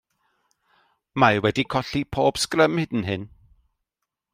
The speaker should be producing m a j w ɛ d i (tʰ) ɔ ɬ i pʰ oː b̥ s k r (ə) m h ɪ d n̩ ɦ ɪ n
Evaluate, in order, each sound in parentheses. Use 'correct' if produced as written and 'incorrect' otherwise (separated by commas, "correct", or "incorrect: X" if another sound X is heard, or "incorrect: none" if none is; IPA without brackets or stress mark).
incorrect: kʰ, correct